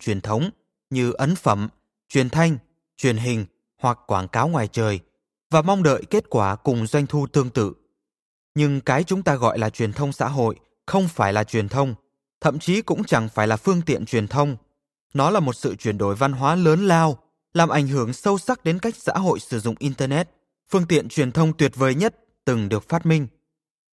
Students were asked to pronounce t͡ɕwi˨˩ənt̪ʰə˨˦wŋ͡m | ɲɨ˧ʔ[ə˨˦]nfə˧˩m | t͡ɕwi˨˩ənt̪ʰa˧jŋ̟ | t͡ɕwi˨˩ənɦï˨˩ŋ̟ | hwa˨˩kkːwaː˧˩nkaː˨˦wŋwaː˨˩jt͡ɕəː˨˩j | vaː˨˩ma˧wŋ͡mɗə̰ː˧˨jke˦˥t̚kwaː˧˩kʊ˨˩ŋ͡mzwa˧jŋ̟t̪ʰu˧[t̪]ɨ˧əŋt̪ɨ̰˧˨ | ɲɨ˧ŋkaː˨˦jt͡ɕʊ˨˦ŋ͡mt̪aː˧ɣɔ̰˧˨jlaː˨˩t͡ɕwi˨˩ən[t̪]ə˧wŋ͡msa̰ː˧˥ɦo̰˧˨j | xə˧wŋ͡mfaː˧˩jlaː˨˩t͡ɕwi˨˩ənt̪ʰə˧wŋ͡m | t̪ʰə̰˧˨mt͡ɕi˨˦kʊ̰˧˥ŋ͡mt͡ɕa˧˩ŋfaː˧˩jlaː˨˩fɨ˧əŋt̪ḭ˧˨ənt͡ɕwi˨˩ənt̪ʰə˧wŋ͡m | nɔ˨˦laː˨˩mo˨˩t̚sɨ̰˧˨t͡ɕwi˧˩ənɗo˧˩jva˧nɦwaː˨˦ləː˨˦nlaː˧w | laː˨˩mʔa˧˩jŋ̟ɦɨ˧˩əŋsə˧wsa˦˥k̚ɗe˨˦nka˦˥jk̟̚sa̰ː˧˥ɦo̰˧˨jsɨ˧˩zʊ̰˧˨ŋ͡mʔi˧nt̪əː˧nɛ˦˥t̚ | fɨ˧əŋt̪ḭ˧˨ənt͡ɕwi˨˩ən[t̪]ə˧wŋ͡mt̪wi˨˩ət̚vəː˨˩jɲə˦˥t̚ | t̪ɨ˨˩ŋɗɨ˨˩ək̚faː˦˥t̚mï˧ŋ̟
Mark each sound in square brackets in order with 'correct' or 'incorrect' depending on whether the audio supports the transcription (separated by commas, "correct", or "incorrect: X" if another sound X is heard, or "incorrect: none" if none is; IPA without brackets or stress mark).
correct, correct, incorrect: t̪ʰ, incorrect: t̪ʰ